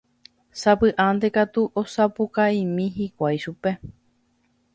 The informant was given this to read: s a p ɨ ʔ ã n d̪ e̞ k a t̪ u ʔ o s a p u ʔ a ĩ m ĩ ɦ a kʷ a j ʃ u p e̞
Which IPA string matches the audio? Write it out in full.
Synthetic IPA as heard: s a p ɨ ʔ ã n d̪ e̞ k a t̪ u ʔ o s a p u k a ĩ m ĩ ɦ i kʷ a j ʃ u p e̞